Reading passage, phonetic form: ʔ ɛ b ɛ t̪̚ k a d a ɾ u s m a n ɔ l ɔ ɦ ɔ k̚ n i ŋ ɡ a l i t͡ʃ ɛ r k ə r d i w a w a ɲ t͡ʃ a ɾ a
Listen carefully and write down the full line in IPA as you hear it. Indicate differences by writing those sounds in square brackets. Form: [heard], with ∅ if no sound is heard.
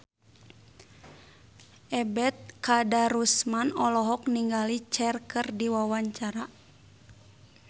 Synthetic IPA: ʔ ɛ b ɛ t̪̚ k a d a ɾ u s m a n ɔ l ɔ ɦ ɔ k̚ n i ŋ ɡ a l i t͡ʃ ɛ r k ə r d i w a w a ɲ t͡ʃ a ɾ a